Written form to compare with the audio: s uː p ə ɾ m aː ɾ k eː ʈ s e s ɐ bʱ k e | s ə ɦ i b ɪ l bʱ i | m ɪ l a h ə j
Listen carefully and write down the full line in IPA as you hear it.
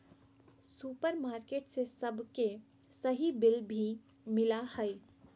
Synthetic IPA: s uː p ə ɾ m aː ɾ k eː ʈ s e s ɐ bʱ k e | s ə ɦ i b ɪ l bʱ i | m ɪ l a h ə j